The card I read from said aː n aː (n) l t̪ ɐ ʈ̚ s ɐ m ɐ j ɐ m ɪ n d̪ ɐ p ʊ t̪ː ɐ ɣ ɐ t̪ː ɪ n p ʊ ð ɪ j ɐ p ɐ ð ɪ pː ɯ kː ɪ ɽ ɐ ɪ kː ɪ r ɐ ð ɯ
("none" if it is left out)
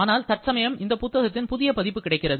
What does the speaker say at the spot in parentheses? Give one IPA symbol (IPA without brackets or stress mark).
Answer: none